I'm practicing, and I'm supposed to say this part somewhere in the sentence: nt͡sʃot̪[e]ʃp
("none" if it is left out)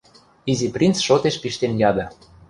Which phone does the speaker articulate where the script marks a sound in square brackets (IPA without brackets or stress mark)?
e